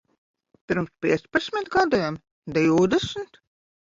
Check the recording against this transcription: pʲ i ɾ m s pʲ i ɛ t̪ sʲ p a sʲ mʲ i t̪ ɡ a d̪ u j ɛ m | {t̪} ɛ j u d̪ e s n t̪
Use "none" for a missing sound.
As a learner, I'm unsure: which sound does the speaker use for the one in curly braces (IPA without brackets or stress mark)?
d̪